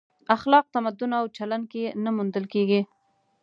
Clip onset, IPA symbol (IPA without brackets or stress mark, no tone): a